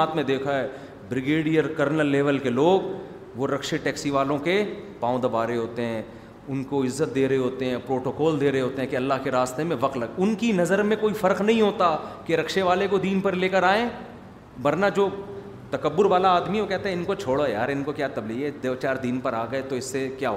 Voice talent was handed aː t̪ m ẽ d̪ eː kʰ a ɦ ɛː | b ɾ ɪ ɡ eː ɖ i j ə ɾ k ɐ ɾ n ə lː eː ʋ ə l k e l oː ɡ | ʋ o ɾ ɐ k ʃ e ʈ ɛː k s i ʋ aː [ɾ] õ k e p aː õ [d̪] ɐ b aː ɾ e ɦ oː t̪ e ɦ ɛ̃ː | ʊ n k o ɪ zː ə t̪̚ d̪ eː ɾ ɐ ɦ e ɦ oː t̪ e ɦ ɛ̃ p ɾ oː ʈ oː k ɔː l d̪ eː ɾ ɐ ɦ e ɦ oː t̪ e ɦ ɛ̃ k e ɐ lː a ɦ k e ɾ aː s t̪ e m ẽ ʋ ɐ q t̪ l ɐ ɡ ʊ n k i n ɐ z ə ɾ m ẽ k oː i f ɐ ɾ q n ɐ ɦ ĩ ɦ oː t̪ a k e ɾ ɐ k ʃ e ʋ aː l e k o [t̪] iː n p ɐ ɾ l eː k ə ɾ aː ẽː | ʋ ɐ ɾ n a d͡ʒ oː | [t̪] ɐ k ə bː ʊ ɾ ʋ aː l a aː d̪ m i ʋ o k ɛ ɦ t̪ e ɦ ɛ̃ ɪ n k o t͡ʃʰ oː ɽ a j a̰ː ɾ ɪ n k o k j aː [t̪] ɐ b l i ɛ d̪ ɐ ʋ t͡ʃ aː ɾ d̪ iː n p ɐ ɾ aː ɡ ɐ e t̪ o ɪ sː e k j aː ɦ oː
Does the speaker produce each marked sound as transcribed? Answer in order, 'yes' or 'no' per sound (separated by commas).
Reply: no, yes, no, yes, yes